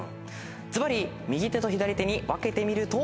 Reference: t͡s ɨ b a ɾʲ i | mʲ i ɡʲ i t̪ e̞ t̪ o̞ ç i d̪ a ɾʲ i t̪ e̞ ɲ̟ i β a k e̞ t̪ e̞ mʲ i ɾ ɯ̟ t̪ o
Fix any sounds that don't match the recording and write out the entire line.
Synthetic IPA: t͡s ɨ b a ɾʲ i | mʲ i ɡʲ i t̪ e̞ t̪ o̞ ç i d̪ a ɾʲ i t̪ e̞ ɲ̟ i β a k e̞ t̪ e̞ mʲ i ɾ ɯ̟ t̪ o